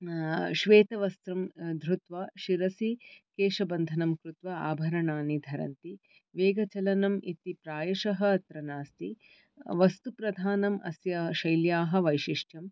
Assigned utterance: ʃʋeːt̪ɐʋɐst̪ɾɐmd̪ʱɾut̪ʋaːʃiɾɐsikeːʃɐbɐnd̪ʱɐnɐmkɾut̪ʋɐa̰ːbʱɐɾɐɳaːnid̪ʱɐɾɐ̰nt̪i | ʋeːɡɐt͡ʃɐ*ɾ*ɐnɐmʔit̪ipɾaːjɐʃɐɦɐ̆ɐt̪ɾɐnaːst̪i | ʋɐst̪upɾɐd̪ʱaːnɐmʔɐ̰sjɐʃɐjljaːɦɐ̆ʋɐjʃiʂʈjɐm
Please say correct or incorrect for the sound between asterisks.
incorrect